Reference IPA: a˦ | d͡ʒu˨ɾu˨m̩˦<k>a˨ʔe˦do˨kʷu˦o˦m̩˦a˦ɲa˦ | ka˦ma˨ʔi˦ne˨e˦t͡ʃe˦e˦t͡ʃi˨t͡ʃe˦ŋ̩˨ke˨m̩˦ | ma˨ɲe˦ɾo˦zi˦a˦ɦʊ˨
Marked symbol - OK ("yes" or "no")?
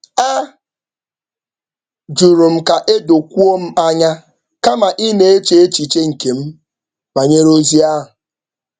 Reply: yes